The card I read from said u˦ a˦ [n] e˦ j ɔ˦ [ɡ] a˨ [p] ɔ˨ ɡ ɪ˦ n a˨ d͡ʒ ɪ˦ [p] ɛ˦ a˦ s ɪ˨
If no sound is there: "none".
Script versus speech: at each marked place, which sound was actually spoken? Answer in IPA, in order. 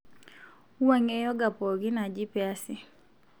ŋ, ɡ, p, p

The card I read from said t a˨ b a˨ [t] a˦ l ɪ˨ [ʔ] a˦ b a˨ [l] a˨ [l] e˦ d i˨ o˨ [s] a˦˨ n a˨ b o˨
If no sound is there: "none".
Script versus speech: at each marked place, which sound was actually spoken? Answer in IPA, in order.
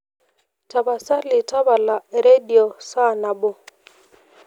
s, t, l, ɾ, s

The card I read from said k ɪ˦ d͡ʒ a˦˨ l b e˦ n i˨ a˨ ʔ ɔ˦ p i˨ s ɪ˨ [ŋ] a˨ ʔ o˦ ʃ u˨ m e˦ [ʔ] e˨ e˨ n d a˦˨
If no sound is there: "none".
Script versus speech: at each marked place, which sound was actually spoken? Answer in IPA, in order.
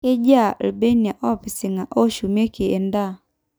ŋ, k

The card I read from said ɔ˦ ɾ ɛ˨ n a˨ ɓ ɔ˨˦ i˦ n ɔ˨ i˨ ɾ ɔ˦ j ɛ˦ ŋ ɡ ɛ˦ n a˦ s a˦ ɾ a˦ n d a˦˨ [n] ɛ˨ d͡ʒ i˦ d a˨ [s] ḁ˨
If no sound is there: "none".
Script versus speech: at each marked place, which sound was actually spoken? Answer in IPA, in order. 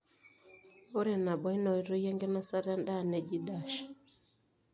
n, ʃ

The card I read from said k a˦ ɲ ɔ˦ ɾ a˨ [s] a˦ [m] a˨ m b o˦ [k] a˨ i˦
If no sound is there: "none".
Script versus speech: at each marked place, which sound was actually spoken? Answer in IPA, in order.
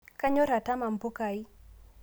t, m, k

